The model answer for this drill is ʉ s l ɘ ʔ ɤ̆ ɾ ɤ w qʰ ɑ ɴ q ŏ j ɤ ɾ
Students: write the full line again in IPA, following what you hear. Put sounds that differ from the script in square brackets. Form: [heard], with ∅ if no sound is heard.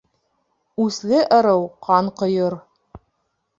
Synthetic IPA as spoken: ʉ s l ɘ ʔ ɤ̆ ɾ ɤ w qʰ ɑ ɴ q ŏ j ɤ ɾ